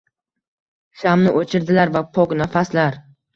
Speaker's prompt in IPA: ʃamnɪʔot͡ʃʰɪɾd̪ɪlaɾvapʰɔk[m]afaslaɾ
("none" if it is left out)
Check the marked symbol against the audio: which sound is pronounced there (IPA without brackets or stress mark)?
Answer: n